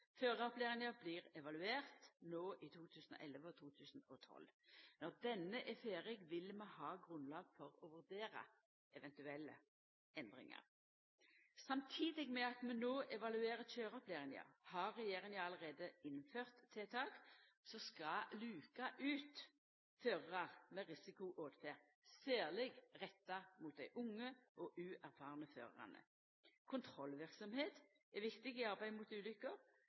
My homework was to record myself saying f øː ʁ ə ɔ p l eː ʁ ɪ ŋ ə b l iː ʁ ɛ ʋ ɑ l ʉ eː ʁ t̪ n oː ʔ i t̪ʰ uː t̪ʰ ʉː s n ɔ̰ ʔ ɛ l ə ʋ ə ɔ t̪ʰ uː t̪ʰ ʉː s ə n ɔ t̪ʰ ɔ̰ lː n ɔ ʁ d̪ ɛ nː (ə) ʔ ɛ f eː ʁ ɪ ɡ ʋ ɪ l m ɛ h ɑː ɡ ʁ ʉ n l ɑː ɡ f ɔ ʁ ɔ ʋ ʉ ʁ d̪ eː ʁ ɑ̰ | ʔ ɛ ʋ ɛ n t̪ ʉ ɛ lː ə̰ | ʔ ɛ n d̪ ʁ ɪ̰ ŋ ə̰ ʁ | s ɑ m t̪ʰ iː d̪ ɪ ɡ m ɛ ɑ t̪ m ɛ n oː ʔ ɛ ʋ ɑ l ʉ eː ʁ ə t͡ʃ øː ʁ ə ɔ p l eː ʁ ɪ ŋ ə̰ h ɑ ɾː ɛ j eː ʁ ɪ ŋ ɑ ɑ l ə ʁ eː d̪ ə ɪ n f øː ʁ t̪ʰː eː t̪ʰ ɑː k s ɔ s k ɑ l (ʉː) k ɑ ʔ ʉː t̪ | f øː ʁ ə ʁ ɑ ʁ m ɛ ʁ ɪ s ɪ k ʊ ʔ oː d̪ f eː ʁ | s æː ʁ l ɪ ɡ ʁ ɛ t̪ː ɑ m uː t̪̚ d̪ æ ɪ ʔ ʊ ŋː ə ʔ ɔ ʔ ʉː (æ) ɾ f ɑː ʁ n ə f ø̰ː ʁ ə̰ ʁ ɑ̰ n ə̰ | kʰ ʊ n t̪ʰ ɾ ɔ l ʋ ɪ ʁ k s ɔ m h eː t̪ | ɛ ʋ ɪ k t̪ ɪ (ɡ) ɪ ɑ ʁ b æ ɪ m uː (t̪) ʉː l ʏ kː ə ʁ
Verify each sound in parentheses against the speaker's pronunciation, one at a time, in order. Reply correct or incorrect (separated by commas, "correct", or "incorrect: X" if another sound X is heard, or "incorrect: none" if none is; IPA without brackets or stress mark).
correct, correct, correct, correct, correct